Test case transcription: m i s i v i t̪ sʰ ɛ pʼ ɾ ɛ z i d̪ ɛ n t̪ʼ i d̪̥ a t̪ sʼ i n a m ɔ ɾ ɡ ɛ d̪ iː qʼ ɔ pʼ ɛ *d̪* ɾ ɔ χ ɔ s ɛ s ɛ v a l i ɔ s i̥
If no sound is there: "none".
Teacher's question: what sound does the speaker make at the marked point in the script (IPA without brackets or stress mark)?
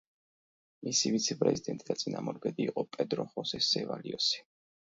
d̪